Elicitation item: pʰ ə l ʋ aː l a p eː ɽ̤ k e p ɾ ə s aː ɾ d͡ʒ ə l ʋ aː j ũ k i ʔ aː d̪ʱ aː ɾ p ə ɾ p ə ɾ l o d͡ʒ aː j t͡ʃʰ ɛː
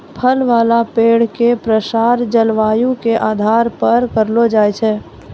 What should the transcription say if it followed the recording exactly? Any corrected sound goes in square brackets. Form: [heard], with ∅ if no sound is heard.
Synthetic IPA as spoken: pʰ ə l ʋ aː l a p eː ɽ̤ k e p ɾ ə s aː ɾ d͡ʒ ə l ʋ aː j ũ k [e] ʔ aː d̪ʱ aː ɾ p ə ɾ [k] ə ɾ l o d͡ʒ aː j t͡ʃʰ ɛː